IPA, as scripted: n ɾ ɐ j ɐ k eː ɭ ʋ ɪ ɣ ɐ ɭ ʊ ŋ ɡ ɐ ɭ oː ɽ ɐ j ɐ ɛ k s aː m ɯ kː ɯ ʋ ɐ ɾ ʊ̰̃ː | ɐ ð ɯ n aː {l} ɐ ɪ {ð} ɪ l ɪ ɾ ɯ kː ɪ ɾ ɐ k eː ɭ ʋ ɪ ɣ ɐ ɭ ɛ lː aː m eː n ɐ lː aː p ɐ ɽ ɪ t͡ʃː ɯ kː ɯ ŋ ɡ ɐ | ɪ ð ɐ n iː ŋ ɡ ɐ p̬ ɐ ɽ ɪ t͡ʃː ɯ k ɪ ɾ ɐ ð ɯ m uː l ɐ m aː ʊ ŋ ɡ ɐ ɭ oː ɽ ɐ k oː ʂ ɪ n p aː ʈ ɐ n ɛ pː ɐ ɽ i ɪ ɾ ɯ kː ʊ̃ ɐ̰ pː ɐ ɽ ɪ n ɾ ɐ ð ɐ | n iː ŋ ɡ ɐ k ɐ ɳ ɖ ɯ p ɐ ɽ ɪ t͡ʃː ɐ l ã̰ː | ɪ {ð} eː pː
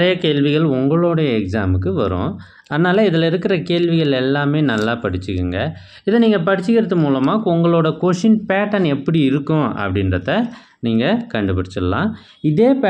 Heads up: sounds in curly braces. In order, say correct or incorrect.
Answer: correct, correct, correct

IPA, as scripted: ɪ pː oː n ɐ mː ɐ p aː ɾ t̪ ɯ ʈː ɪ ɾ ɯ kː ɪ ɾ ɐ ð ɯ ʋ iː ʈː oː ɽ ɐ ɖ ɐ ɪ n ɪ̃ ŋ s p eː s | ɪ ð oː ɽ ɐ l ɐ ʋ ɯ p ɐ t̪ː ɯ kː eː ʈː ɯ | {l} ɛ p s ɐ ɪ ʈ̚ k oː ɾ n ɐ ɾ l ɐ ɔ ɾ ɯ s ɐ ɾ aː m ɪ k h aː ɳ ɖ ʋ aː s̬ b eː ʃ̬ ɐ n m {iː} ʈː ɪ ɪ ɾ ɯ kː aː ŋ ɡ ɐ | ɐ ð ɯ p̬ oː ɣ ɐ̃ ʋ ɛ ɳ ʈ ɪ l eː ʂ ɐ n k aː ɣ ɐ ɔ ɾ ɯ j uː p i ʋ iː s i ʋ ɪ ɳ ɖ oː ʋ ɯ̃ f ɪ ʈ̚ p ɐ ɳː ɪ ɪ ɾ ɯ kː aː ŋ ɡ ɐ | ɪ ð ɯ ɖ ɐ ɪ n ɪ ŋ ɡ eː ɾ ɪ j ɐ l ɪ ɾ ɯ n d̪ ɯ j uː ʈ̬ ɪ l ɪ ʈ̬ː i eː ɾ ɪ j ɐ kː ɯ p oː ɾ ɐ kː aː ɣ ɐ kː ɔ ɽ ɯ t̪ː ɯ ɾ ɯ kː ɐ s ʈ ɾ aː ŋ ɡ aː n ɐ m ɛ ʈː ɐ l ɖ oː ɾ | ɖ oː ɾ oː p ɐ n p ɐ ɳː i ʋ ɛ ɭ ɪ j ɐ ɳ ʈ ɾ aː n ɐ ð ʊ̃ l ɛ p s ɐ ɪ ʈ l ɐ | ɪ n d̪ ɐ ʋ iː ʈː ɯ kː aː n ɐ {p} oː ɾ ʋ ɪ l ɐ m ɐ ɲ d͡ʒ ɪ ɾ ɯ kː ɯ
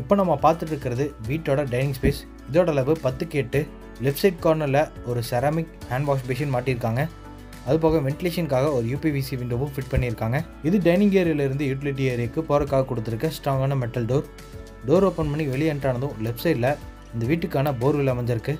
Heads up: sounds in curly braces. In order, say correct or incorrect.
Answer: correct, incorrect, incorrect

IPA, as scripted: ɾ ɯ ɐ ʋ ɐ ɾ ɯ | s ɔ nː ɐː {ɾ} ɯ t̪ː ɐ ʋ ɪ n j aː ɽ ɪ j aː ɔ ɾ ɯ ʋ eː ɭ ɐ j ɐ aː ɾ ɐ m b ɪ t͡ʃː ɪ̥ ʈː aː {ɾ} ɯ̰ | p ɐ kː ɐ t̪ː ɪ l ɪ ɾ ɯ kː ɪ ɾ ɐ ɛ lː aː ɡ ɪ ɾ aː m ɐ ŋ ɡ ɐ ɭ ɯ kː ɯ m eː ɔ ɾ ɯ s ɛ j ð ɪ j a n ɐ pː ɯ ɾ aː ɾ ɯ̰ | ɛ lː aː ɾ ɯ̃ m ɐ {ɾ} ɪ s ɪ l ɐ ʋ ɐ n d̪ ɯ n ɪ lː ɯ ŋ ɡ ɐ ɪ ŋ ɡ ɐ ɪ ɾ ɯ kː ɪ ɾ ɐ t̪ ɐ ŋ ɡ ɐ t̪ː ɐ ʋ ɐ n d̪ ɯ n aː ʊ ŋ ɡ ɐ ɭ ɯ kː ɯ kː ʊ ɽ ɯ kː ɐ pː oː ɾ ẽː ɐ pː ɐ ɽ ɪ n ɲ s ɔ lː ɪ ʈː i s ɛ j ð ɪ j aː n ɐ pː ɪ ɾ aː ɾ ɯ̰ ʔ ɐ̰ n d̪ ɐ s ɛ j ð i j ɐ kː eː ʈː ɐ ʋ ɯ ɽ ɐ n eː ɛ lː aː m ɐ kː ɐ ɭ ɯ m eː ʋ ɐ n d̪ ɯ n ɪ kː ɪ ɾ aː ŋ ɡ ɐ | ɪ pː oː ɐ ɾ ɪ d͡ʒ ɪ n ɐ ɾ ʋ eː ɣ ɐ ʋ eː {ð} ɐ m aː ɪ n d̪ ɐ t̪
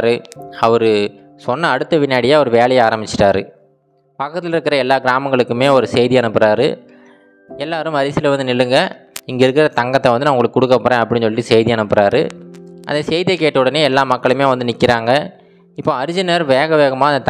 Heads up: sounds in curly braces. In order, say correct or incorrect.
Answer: incorrect, correct, correct, incorrect

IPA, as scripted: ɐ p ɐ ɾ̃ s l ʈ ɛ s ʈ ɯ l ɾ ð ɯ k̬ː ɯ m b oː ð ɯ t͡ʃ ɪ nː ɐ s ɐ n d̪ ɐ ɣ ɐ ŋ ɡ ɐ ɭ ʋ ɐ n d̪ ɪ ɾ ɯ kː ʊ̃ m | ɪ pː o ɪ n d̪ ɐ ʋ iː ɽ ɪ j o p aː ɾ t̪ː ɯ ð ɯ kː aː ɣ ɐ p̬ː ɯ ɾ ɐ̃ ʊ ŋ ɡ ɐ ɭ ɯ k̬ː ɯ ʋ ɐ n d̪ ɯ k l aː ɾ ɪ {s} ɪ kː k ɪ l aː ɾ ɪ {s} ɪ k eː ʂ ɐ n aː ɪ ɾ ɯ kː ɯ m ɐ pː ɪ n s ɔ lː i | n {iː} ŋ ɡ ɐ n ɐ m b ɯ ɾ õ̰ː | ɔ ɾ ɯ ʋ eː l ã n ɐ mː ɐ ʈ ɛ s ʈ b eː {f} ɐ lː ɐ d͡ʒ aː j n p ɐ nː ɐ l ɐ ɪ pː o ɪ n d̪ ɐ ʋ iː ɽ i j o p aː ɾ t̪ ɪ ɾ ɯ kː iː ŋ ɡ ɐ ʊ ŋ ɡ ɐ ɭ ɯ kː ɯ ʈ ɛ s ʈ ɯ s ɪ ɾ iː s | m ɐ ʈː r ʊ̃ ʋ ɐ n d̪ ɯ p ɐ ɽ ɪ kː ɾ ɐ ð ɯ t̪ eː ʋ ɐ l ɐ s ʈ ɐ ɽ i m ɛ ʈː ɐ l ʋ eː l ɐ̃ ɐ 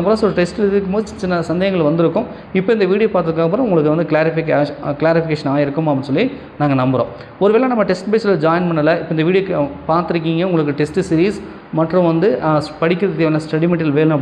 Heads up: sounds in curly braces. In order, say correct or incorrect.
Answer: incorrect, incorrect, incorrect, incorrect

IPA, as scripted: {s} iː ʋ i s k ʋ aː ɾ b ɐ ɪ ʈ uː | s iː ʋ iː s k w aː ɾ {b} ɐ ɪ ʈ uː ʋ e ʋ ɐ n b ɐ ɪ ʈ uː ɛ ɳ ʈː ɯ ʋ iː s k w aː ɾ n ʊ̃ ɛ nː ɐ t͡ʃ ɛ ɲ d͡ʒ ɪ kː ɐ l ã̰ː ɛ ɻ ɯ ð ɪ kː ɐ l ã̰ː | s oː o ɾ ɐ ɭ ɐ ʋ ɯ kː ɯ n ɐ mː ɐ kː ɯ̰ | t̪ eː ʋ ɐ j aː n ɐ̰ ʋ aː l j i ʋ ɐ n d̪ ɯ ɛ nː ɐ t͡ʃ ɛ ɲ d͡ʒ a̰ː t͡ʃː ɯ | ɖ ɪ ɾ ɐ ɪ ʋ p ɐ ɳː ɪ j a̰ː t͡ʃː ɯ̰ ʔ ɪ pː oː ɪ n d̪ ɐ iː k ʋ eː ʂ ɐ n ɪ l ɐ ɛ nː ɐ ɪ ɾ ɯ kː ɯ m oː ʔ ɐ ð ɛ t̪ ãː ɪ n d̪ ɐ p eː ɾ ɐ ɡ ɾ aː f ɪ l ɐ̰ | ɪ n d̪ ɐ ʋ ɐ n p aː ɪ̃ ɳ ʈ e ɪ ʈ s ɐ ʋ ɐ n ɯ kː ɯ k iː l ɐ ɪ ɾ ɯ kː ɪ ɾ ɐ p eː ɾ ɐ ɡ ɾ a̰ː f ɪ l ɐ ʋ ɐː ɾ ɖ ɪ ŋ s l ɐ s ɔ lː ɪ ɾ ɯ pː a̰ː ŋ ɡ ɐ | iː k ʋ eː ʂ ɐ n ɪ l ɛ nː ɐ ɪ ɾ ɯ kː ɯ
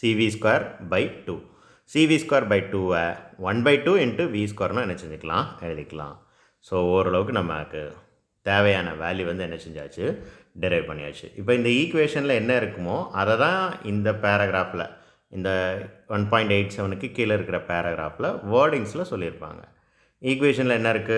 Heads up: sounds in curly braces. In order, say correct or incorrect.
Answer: correct, correct

